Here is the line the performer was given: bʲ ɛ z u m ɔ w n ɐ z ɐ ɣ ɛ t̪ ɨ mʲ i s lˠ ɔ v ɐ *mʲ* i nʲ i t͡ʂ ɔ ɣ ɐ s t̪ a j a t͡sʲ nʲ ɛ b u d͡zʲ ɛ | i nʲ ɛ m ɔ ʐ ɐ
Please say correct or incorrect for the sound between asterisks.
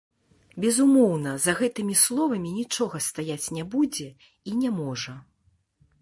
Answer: correct